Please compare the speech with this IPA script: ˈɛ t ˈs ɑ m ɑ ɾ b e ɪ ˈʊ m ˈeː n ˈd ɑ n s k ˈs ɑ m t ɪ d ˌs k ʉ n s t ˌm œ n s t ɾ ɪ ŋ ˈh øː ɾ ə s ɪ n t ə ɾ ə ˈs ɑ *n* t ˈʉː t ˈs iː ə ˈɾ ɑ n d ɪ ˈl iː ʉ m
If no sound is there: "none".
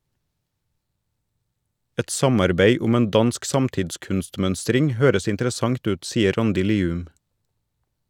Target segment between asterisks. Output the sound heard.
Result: ŋ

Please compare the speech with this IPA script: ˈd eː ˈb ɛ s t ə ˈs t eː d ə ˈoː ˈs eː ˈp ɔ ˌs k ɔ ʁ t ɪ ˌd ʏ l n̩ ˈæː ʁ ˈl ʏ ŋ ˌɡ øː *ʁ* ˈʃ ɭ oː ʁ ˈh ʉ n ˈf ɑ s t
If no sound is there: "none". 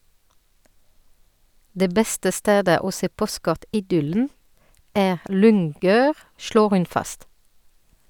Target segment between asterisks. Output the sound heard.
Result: ʁ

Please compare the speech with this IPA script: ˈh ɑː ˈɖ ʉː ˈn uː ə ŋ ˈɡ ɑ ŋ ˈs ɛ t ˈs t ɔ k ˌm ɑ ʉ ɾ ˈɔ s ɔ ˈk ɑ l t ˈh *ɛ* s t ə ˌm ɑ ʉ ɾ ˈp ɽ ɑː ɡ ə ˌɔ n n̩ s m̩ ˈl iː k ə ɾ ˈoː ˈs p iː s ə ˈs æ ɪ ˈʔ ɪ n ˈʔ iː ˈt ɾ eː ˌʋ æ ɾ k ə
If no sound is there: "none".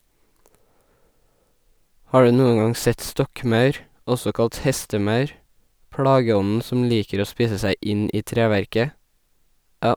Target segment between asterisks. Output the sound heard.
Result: ɛ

